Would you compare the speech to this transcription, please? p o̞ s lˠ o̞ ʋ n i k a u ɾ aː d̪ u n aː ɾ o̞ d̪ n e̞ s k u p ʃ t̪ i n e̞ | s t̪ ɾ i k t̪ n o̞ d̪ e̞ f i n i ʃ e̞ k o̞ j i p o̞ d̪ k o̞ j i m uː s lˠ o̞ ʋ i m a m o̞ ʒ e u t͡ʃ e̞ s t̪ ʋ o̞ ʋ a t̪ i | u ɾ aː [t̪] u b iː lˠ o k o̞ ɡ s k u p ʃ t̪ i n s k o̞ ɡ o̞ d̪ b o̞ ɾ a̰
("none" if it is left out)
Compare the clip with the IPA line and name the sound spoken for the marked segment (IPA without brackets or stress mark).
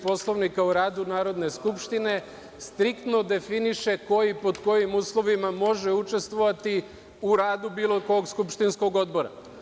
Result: d̪